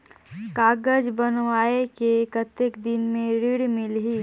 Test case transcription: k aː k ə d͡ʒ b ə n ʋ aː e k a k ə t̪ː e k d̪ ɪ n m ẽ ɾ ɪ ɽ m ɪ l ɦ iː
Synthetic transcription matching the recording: k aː ɡ ə d͡ʒ b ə n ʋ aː e k e k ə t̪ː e k d̪ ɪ n m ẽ ɾ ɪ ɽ m ɪ l ɦ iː